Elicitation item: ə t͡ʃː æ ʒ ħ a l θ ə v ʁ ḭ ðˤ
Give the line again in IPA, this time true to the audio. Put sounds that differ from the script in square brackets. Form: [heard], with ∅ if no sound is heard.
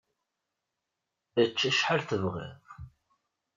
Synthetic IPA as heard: ə t͡ʃː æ [ʃ] ħ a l θ ə v ʁ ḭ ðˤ